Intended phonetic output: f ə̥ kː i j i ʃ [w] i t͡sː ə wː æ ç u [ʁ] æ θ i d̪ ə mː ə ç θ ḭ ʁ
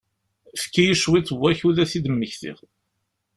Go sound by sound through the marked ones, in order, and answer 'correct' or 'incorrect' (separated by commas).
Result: correct, incorrect